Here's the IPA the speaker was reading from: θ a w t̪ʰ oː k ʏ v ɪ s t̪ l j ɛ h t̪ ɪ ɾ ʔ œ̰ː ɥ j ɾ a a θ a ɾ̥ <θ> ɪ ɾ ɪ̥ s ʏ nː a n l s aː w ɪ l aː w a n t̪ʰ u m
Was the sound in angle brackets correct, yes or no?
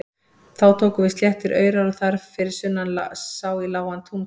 no